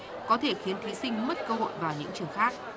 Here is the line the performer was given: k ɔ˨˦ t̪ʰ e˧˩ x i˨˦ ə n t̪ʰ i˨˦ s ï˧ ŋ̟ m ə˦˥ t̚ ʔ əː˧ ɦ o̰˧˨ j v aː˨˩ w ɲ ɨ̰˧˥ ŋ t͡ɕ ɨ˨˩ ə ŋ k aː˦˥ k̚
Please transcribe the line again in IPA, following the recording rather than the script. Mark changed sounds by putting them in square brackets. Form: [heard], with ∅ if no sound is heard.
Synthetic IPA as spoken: k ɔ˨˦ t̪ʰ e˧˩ x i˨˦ ə n t̪ʰ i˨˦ s ï˧ ŋ̟ m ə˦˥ t̚ [k] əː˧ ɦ o̰˧˨ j v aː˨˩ w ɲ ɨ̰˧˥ ŋ t͡ɕ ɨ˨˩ ə ŋ [x] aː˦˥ k̚